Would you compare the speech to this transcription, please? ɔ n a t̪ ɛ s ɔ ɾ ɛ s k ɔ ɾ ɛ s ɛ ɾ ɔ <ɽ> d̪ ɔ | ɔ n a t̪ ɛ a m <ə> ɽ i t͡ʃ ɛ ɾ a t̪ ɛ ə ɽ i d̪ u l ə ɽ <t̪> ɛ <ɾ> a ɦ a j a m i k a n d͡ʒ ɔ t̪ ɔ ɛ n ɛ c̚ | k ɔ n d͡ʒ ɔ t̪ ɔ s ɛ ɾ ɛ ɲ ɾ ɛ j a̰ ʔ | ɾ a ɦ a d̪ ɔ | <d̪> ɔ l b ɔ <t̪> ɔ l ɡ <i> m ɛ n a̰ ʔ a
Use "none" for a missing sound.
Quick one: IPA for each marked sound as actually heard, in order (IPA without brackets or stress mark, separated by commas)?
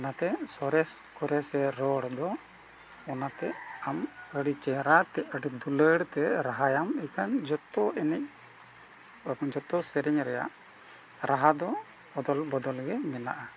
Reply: ɽ, ə, t̪, ɾ, d̪, d̪, ɛ